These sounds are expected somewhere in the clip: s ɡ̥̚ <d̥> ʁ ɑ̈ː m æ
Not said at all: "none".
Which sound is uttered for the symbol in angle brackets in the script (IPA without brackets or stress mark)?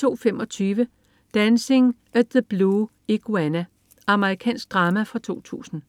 d̥